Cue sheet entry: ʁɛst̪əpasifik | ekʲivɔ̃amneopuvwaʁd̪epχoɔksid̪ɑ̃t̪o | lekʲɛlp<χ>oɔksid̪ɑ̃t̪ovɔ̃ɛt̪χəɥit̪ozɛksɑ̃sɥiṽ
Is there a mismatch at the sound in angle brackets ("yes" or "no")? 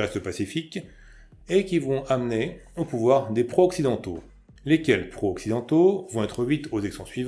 no